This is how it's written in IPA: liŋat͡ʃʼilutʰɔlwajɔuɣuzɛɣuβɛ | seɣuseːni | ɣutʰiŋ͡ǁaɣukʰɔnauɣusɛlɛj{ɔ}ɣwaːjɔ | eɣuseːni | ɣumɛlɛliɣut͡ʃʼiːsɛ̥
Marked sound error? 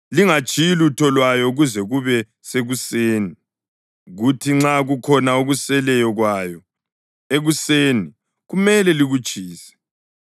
no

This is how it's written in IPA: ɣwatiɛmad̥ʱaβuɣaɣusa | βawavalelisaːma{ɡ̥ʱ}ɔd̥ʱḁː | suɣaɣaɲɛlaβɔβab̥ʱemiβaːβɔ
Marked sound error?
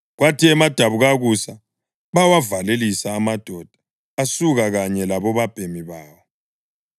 yes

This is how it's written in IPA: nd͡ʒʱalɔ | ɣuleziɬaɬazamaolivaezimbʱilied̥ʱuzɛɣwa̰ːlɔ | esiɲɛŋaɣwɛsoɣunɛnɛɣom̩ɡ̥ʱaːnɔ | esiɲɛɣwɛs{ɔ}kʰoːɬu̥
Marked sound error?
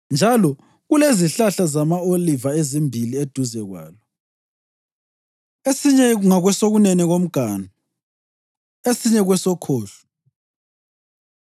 no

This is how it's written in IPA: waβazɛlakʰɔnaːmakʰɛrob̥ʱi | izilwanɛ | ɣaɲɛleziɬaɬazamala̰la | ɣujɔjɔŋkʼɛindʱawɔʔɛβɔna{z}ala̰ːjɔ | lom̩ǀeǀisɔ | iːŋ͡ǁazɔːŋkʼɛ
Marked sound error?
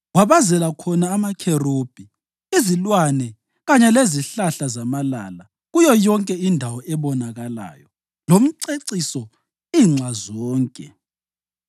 yes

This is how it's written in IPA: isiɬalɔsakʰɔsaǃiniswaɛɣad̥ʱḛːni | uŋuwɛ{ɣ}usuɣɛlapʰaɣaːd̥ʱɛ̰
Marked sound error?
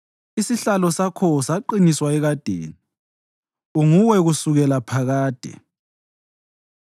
no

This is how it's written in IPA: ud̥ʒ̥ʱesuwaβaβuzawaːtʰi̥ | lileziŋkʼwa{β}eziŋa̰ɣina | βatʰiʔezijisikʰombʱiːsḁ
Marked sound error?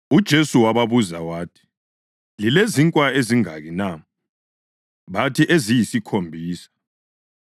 yes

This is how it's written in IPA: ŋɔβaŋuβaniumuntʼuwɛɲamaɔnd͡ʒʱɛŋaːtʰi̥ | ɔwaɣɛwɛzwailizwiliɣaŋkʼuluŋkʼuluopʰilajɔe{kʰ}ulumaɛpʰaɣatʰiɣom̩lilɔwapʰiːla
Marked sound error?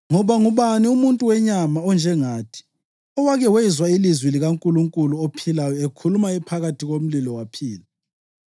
no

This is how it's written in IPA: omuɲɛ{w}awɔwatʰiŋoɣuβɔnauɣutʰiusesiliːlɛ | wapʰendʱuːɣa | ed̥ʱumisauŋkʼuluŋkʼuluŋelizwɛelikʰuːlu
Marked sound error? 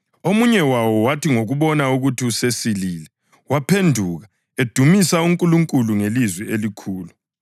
no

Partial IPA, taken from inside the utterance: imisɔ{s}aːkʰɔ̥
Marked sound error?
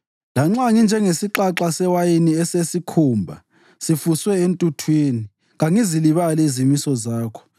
yes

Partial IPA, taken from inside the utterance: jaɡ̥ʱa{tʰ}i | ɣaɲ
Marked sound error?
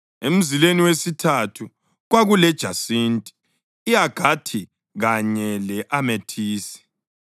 no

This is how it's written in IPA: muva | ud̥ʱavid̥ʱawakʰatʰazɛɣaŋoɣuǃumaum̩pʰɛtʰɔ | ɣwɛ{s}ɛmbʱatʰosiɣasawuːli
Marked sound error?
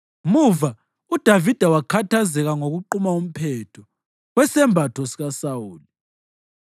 no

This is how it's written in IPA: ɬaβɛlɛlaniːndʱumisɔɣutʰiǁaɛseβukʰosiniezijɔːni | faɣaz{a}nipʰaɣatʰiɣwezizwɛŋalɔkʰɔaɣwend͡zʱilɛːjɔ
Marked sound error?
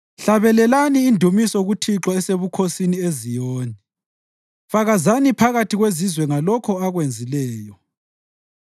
no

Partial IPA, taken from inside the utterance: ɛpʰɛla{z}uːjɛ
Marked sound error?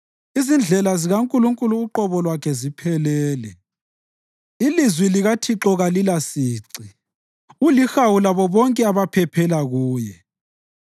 yes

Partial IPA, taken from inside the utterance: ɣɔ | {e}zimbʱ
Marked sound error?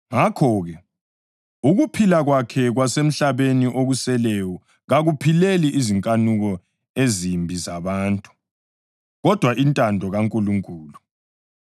no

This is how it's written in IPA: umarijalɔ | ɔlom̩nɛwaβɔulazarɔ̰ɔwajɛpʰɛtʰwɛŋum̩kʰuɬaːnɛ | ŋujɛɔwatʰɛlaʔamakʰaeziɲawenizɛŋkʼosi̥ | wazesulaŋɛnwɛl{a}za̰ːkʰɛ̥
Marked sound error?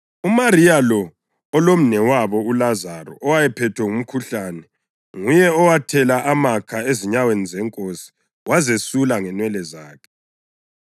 yes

